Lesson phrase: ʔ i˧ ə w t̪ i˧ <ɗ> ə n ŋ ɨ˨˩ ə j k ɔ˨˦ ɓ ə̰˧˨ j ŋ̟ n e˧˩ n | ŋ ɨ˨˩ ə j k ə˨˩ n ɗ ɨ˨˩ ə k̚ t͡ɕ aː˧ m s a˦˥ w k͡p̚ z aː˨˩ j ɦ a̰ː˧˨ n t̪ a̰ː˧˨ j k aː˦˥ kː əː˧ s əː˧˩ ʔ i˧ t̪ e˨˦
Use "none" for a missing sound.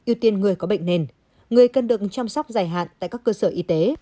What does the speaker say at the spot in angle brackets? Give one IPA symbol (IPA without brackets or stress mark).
none